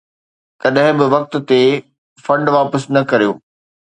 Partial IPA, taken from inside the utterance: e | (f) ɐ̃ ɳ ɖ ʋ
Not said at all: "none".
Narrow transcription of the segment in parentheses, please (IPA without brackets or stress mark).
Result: f